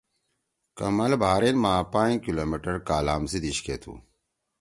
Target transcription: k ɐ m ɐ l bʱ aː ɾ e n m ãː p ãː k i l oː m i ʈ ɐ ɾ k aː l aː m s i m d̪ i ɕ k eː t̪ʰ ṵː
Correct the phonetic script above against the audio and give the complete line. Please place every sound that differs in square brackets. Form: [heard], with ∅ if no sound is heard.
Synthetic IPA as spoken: k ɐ m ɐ l bʱ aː ɾ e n m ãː p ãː k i l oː m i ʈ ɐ ɾ k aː l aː m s i [∅] d̪ i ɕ k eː t̪ʰ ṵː